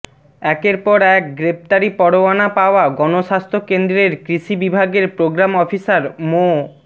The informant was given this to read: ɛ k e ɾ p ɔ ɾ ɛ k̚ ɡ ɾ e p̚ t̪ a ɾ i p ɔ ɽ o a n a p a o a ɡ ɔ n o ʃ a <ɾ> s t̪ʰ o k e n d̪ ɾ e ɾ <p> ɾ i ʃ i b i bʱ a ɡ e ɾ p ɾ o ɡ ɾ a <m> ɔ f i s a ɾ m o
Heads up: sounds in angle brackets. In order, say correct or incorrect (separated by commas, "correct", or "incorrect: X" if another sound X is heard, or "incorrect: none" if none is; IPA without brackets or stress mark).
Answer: incorrect: none, incorrect: k, correct